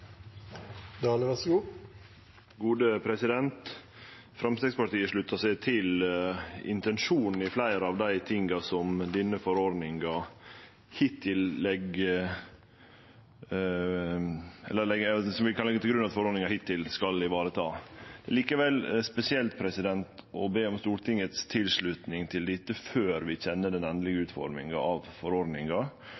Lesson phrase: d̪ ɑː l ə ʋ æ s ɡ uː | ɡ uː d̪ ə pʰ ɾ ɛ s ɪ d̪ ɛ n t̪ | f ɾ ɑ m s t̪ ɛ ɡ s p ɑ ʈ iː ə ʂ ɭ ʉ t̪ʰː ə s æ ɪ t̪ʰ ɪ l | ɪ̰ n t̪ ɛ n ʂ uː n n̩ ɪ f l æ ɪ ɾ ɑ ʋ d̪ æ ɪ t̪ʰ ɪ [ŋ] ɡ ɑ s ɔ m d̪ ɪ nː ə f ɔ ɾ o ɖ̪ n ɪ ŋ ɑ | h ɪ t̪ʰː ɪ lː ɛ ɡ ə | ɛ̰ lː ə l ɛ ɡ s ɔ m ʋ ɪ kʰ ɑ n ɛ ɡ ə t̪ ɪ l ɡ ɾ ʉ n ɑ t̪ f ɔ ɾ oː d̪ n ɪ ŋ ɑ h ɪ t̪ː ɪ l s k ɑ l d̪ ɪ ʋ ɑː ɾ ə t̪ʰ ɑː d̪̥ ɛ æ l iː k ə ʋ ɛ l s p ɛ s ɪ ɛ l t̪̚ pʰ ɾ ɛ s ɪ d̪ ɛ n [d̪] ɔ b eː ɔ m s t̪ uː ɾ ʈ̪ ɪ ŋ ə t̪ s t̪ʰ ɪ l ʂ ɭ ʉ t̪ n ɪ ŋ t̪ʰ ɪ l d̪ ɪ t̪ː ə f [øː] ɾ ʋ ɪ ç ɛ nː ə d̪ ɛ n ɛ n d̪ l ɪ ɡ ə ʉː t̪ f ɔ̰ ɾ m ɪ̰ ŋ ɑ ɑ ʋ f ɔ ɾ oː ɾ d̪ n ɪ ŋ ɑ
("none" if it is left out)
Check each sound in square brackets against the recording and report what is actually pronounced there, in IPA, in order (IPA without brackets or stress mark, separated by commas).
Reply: ŋ, t̪, øː